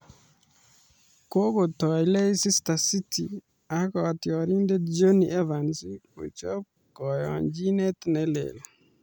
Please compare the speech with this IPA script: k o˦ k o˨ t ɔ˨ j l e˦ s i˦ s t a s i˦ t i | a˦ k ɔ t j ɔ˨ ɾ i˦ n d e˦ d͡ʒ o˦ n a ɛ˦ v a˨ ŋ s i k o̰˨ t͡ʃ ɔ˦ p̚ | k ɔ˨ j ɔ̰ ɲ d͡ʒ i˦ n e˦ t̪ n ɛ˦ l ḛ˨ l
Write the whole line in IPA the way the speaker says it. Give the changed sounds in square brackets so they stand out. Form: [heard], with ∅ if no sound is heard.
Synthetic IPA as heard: k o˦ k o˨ t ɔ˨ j l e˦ s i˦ s t a s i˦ t i | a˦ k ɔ t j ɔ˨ ɾ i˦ n d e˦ d͡ʒ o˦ n [i] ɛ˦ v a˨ [n] s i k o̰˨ t͡ʃ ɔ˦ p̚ | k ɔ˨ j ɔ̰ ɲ d͡ʒ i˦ n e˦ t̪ n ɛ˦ l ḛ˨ l

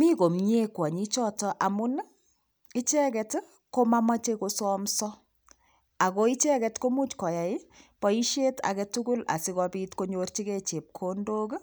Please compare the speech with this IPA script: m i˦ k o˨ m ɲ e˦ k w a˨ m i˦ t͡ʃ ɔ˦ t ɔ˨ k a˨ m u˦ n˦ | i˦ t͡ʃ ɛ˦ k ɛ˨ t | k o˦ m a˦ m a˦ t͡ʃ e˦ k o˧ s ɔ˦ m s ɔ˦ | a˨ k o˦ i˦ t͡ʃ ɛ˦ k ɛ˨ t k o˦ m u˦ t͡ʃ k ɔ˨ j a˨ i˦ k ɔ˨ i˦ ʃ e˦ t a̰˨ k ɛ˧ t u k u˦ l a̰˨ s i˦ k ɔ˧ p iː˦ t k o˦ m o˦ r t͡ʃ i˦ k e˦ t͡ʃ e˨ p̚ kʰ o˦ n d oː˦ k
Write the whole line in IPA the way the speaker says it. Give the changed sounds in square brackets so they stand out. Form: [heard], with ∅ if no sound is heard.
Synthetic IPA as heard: m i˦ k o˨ m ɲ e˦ k w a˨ [ɲ] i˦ t͡ʃ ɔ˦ t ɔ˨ [ʔ] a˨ m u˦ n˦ | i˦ t͡ʃ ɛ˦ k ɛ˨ t | k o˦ m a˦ m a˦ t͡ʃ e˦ k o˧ s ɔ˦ m s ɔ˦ | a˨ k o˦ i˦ t͡ʃ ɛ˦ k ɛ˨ t k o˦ m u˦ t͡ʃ k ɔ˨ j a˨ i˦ [p] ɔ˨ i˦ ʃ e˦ t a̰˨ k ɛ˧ t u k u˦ l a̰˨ s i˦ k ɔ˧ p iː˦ t k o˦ [ɲ] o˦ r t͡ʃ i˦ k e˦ t͡ʃ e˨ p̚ kʰ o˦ n d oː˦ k

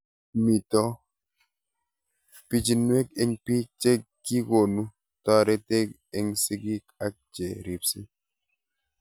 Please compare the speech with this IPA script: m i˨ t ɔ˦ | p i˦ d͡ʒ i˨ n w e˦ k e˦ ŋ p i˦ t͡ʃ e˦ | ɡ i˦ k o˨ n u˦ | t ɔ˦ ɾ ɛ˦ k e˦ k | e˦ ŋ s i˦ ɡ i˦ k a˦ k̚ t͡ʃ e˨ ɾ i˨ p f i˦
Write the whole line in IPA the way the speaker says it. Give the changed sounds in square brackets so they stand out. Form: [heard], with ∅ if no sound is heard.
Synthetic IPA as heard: m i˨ t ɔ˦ | p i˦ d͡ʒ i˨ n w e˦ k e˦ ŋ p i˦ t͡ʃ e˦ | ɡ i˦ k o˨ n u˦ | t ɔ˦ ɾ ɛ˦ [t] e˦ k | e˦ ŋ s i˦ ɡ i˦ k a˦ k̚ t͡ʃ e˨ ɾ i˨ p [s] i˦

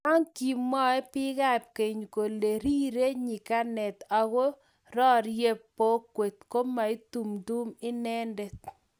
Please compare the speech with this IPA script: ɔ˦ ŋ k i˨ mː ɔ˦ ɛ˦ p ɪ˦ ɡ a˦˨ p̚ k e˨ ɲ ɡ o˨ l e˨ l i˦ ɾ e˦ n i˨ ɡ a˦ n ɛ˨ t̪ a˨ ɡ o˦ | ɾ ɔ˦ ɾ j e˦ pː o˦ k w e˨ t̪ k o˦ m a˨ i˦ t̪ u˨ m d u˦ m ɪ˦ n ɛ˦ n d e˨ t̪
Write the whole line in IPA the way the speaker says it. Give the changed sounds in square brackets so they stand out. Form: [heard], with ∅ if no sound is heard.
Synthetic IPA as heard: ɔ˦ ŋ k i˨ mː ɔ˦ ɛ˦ p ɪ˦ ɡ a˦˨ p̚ k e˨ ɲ [k] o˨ l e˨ [ɾ] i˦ ɾ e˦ [ɲ] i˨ [k] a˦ n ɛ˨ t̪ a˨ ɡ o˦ | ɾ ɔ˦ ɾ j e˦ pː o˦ k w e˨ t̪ k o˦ m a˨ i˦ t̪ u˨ m d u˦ m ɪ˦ n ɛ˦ n d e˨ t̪

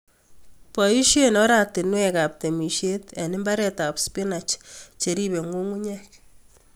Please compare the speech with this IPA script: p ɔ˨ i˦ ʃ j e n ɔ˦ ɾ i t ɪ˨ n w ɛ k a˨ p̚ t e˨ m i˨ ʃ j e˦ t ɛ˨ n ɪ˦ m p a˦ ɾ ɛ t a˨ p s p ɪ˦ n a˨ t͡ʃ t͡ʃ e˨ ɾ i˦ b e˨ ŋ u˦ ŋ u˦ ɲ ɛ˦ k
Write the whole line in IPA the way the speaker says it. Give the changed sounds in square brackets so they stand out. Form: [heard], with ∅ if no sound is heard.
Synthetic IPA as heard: p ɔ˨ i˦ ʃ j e n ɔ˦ ɾ [a] t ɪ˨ n w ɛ k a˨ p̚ t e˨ m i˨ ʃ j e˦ t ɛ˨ n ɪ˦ m [b] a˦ ɾ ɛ t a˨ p s p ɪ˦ n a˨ t͡ʃ t͡ʃ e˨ ɾ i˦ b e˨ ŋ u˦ ŋ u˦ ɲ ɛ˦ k

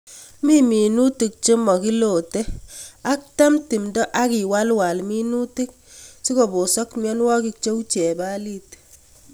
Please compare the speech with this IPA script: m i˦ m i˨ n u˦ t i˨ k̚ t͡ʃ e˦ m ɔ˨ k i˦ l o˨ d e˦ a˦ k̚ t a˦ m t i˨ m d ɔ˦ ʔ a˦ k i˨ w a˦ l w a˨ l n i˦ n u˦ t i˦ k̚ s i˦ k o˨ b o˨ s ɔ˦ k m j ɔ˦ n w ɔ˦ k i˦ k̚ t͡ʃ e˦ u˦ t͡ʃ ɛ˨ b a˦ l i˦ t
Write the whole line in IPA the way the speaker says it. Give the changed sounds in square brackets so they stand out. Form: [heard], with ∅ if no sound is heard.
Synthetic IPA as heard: m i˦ m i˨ n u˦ t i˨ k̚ t͡ʃ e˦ m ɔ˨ k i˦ l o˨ [t] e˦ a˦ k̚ t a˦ m t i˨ m d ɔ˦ ʔ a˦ k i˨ w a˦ l w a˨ l [m] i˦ n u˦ t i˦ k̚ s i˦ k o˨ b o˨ s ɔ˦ k m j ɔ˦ n w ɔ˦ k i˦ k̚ t͡ʃ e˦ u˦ t͡ʃ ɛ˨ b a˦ l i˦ t

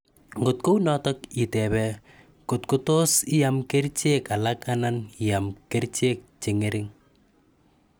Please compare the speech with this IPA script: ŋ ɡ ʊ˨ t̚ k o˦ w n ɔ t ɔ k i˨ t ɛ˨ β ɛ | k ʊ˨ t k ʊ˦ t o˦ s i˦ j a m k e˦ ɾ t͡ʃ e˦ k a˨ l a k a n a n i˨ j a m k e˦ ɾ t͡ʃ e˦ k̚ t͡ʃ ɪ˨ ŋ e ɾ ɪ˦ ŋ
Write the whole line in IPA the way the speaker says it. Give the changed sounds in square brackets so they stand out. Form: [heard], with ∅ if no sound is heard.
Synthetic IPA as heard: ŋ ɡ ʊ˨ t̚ k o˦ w n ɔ t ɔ k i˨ t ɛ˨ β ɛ | k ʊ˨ t k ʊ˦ t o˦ s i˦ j a m k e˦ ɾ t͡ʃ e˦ k a˨ l a k a n a n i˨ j a m k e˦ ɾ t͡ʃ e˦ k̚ t͡ʃ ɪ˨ ŋ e ɾ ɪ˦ ŋ

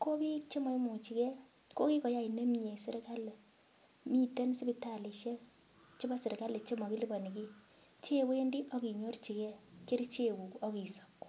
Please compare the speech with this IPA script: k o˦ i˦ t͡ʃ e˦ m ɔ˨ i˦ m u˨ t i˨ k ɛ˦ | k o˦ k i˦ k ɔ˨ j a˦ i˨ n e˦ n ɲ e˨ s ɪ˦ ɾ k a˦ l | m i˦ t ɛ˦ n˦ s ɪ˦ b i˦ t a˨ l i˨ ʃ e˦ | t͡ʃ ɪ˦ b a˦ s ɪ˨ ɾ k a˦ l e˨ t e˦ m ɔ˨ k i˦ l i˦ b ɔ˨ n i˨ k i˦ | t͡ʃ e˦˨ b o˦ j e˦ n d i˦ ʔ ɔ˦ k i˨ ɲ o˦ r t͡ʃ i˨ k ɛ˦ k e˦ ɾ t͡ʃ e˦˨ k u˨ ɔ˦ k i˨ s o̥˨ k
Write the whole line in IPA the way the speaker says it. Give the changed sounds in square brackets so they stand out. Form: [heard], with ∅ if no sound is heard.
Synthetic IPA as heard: k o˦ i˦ t͡ʃ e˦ m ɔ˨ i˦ m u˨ [t͡ʃ] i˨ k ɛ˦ | k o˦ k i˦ k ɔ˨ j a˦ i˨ n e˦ [m] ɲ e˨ s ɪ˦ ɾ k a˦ l | m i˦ t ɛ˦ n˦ s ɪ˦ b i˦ t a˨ l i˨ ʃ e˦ | t͡ʃ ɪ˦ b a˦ s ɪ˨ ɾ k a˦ l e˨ [t͡ʃ] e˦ m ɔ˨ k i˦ l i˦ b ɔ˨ n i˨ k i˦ | t͡ʃ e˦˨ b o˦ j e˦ n d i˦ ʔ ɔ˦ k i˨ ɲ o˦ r t͡ʃ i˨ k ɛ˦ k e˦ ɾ t͡ʃ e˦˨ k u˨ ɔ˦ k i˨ s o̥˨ k

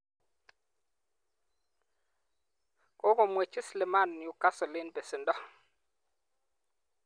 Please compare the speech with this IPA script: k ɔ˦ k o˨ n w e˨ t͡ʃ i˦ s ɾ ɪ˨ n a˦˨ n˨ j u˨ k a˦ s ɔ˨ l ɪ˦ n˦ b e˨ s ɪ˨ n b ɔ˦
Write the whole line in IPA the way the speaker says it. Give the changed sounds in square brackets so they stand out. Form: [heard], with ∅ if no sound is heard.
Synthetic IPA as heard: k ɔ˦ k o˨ [m] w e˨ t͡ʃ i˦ s [l] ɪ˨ [m] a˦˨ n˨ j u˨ k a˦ s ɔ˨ l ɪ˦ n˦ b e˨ s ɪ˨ n [d] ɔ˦

